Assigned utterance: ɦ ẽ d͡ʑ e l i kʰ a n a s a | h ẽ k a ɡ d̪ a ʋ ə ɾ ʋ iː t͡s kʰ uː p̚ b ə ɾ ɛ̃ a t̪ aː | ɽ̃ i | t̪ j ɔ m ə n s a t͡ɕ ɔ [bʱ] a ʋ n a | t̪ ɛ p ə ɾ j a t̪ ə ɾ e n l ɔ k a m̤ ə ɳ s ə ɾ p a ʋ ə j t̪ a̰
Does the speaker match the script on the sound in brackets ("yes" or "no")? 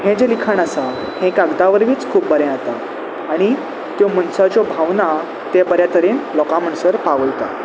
yes